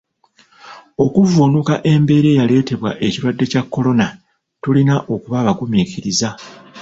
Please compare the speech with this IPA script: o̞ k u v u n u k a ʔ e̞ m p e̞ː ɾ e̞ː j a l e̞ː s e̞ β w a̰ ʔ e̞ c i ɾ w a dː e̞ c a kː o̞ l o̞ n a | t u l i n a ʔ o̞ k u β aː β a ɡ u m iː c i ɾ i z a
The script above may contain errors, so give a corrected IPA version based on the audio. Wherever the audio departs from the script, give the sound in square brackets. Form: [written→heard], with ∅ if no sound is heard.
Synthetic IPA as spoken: o̞ k u v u n u k a ʔ e̞ m [p→b] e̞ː ɾ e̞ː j a l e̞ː [s→t] e̞ β w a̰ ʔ e̞ c i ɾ w a dː e̞ c a kː o̞ l o̞ n a | t u l i n a ʔ o̞ k u β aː β a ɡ u m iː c i ɾ i z a